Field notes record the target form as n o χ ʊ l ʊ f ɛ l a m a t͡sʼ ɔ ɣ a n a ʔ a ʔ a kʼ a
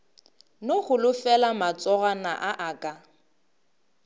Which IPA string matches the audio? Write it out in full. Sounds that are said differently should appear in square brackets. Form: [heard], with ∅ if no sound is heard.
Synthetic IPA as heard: n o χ ʊ l ʊ f ɛ l a m a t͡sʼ ɔ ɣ a n a ʔ a ʔ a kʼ a